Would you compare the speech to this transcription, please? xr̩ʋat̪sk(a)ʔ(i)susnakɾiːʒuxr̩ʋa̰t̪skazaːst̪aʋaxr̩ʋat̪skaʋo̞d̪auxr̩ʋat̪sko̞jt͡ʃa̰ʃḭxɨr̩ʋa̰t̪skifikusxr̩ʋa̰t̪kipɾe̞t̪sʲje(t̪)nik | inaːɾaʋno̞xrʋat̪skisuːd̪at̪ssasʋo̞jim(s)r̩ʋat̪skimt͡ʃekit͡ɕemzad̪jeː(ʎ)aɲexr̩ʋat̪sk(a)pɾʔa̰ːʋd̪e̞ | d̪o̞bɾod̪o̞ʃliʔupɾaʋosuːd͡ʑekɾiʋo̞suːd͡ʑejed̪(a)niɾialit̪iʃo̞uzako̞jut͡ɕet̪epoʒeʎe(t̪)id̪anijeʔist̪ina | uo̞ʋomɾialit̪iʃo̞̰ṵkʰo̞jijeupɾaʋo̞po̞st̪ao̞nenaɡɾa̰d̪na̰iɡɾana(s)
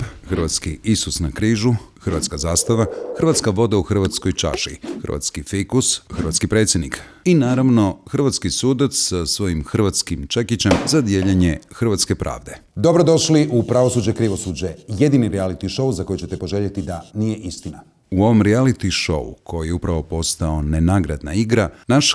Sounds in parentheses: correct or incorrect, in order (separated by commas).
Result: incorrect, correct, incorrect, incorrect, correct, incorrect, incorrect, correct, incorrect